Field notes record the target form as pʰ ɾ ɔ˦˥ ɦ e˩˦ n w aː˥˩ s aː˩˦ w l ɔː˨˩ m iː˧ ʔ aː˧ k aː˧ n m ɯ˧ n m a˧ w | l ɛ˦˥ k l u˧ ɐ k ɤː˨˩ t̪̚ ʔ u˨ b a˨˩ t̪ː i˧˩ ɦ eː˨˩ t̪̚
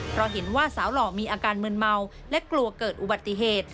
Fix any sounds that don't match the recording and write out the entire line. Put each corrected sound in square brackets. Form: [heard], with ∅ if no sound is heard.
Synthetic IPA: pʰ ɾ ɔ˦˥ ɦ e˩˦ n w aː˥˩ s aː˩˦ w l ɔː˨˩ m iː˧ ʔ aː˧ k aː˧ n m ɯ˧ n m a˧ w | l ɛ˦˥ k l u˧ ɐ k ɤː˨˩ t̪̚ ʔ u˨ b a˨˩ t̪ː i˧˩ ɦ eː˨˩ t̪̚